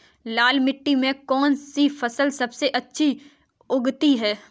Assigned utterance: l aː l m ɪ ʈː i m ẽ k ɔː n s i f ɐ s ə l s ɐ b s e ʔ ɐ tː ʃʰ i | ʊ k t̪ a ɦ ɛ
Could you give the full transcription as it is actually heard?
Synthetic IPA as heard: l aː l m ɪ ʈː i m ẽ k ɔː n s i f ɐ s ə l s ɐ b s e ʔ ɐ tː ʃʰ i | ʊ ɡ t̪ i ɦ ɛː